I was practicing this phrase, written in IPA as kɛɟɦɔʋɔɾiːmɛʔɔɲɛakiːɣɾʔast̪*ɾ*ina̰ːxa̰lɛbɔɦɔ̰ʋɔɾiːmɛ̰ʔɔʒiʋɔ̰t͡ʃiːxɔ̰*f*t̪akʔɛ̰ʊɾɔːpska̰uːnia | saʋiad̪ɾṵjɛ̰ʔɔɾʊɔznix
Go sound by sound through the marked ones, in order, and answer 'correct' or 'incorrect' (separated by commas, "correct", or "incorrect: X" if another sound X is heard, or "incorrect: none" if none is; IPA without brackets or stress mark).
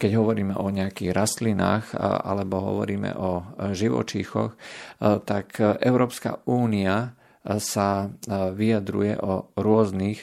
incorrect: l, incorrect: x